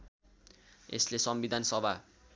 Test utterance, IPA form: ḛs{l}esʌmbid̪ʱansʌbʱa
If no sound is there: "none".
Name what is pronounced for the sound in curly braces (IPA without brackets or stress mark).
l